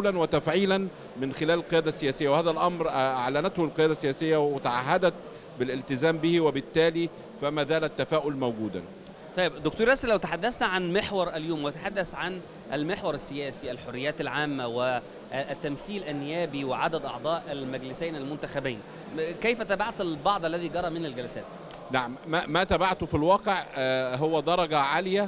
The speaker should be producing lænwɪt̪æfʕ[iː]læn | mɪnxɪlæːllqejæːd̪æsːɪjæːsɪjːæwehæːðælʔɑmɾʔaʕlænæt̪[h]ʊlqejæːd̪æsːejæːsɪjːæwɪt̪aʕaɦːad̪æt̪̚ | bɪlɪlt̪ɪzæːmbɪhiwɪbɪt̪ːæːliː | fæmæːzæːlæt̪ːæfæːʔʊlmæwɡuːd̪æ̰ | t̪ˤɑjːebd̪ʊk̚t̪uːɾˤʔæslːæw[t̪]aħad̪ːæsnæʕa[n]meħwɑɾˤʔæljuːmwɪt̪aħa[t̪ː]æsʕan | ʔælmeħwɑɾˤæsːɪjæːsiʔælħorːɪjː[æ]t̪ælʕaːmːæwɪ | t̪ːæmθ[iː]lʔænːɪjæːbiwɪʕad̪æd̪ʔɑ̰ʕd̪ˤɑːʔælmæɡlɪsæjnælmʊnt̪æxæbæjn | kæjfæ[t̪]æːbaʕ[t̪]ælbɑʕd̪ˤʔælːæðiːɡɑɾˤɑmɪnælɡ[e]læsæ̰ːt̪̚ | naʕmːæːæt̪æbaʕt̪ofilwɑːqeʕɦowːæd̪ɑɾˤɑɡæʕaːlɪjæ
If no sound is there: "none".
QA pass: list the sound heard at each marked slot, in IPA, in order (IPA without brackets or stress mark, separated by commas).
iː, h, t̪, n, d̪ː, æː, iː, t̪, t̪, æ